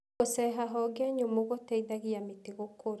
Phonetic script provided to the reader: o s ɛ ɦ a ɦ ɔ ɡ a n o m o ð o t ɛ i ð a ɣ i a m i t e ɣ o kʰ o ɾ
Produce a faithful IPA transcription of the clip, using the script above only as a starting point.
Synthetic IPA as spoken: o s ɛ ɦ a ɦ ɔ ɡ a ɲ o m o ɣ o t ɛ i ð a ɣ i a m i t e ɣ o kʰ o ɾ